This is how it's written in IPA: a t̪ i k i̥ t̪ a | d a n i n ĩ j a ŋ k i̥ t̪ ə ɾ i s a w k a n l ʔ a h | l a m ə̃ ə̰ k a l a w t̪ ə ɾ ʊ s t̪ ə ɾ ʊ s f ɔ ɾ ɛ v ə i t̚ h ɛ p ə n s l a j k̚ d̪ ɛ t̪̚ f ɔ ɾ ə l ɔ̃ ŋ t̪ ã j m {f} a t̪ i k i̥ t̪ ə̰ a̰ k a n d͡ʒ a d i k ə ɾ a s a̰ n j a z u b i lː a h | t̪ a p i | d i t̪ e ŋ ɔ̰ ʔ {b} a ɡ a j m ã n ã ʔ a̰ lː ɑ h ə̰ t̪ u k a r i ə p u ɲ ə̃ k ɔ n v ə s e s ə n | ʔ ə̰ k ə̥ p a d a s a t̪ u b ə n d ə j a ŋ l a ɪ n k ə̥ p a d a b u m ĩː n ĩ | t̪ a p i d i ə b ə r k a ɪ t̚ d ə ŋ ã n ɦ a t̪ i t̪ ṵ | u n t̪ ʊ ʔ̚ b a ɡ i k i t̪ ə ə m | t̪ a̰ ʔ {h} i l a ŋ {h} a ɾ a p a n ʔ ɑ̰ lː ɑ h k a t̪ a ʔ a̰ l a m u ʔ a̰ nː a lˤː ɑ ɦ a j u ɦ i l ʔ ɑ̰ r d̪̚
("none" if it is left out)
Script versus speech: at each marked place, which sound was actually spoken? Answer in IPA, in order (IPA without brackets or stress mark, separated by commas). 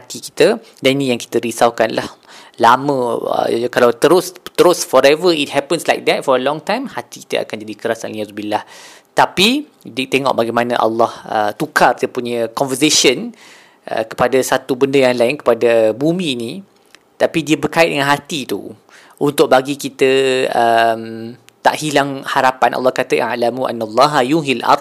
h, b, h, h